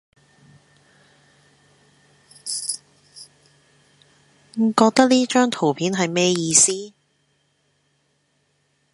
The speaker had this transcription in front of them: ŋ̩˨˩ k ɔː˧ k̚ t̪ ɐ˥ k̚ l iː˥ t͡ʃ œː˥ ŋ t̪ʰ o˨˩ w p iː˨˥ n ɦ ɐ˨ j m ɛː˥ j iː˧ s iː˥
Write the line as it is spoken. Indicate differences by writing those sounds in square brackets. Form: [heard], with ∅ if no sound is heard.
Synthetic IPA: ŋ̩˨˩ k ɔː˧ k̚ t̪ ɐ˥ k̚ l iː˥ t͡ʃ œː˥ ŋ t̪ʰ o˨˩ w [pʰ] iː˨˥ n ɦ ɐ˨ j m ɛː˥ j iː˧ s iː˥